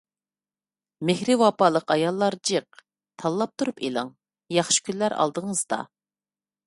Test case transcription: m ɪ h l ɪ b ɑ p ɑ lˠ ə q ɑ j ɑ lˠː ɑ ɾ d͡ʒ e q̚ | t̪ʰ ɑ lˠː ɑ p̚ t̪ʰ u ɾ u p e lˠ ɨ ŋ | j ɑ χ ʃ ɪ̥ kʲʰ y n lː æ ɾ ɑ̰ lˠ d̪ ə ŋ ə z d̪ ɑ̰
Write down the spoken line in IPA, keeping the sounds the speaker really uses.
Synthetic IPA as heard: m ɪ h ɾ ɪ w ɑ p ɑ lˠ ə q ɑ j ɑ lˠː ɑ ɾ d͡ʒ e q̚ | t̪ʰ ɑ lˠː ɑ p̚ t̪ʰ u ɾ u p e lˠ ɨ ŋ | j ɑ χ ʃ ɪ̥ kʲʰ y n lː æ ɾ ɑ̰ lˠ d̪ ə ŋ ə z d̪ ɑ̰